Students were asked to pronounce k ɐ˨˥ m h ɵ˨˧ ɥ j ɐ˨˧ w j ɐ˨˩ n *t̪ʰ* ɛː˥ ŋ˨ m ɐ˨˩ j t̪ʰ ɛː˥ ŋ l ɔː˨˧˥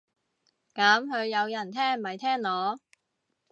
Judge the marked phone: correct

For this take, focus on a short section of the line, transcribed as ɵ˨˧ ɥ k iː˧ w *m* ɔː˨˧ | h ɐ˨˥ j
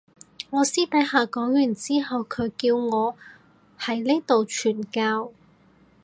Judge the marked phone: incorrect: ŋ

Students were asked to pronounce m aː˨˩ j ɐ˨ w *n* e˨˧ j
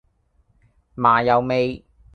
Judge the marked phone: incorrect: m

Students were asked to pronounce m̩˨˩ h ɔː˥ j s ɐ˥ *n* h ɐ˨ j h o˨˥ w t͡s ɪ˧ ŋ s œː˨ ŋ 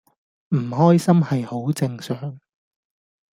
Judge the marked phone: incorrect: m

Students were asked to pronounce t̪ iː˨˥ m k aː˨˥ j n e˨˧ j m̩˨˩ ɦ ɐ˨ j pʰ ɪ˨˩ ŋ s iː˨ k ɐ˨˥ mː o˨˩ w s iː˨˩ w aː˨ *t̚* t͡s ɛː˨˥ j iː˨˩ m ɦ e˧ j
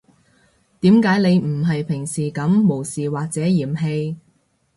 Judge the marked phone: incorrect: k̚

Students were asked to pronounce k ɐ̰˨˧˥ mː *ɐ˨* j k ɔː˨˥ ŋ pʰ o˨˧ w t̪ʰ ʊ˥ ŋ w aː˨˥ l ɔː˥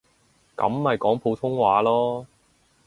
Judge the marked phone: correct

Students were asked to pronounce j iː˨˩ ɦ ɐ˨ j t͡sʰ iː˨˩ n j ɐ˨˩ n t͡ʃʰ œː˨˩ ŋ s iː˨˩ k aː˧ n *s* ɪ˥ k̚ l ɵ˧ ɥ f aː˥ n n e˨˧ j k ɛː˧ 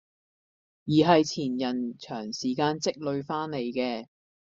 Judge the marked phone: incorrect: t͡s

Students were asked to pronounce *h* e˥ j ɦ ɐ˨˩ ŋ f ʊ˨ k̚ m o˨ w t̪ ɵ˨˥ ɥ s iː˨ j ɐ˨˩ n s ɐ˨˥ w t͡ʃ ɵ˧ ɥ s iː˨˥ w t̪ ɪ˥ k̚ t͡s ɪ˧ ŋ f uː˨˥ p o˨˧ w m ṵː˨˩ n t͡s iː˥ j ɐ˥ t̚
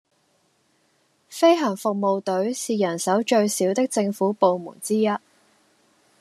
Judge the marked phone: incorrect: f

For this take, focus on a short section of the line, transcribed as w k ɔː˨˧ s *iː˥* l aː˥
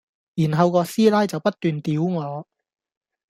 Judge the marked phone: correct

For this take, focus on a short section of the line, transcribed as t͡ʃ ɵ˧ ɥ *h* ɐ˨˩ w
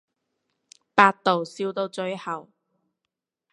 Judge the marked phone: correct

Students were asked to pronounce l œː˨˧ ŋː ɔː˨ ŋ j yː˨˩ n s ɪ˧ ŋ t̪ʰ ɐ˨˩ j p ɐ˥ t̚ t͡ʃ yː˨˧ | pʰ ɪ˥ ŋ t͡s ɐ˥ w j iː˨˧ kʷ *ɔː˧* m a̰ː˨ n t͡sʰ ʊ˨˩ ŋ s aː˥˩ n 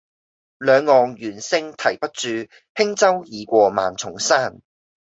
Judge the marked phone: correct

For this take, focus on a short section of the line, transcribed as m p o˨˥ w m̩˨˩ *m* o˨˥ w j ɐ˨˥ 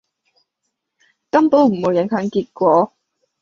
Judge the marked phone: correct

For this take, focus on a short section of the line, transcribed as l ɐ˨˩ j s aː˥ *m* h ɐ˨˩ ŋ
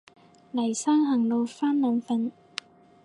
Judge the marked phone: incorrect: ŋ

